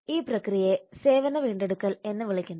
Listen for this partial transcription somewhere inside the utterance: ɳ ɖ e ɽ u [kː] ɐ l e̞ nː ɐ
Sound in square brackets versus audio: correct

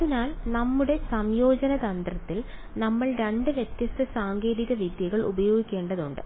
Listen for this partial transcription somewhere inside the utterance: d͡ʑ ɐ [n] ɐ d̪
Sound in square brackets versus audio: correct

